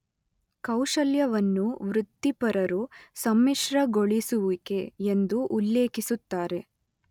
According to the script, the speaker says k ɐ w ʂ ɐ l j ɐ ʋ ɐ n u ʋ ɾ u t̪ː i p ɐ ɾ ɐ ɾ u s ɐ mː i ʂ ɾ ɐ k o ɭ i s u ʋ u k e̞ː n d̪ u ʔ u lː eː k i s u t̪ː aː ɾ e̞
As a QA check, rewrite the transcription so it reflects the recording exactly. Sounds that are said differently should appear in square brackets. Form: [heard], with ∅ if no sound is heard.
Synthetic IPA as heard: k ɐ w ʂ ɐ l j ɐ ʋ ɐ [nː] u ʋ ɾ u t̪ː i p ɐ ɾ ɐ ɾ u s ɐ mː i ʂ ɾ ɐ [ɡ] o ɭ i s u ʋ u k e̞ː n d̪ u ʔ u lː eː k i s u t̪ː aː ɾ e̞